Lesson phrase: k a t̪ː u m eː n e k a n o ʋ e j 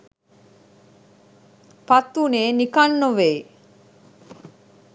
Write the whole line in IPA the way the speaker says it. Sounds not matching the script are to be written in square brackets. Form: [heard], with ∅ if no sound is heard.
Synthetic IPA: [p] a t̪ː u [n] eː n [i] k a [nː] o ʋ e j

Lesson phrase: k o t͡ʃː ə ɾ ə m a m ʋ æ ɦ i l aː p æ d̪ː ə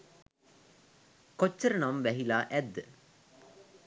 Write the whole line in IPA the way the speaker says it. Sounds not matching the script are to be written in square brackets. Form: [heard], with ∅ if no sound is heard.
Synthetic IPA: k o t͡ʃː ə ɾ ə [n] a m ʋ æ ɦ i l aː [ʔ] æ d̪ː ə

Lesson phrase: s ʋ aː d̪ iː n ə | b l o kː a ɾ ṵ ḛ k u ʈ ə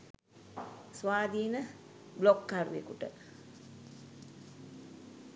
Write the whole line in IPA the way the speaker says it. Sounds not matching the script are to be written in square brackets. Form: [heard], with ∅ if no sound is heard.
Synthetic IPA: s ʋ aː d̪ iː n ə | b l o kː a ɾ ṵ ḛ k u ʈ ə

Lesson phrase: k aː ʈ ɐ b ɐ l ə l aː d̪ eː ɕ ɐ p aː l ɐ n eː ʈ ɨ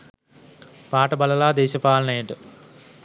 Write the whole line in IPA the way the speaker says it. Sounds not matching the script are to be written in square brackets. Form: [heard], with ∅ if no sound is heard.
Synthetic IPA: [p] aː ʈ ɐ b ɐ l [ɐ] l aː d̪ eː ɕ ɐ p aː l ɐ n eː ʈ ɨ

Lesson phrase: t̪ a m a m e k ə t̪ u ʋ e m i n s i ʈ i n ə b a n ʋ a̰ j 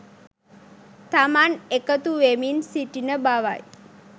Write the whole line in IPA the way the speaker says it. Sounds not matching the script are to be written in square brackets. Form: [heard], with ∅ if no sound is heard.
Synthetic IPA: t̪ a m a [n] e k ə t̪ u ʋ e m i n s i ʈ i n ə b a [∅] ʋ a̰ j

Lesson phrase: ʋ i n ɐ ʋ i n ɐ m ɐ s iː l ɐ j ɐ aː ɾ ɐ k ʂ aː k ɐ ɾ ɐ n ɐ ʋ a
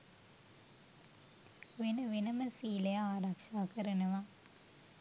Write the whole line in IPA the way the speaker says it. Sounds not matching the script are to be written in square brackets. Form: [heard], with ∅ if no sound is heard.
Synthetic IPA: ʋ i n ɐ ʋ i n ɐ m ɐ s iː l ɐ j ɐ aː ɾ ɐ k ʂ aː k ɐ ɾ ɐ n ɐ ʋ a

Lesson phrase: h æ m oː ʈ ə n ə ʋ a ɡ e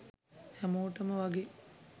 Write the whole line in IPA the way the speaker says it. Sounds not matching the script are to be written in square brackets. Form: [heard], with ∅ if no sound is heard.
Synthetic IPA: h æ m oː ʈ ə [m] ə ʋ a ɡ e

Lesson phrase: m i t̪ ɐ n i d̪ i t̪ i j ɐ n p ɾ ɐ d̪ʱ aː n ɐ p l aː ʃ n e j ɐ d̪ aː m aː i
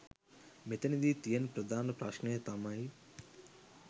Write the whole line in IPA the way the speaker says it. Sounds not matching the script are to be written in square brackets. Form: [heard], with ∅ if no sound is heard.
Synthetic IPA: m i t̪ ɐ n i d̪ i t̪ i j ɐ n p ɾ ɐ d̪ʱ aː n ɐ p [ɾ] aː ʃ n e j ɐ [t̪] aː m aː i

